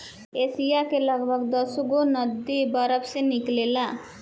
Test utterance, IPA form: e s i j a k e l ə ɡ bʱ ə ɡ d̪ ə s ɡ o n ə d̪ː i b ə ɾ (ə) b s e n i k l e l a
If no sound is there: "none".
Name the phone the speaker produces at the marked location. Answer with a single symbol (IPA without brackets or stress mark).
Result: ə